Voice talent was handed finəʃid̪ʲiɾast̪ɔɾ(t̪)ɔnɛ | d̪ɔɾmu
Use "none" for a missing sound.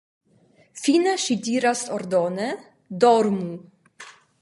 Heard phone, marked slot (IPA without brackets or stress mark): d̪